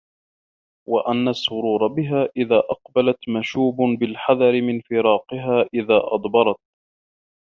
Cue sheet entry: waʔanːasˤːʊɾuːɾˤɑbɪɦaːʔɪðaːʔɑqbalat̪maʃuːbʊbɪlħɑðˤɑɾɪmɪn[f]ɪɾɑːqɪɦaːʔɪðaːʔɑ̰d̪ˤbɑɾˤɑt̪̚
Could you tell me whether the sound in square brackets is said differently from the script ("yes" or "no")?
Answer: no